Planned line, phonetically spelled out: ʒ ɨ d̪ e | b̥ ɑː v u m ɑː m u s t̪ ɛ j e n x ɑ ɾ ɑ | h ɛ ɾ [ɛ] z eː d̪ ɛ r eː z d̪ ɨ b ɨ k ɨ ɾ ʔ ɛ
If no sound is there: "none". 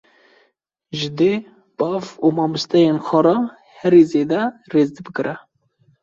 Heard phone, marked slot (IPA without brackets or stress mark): i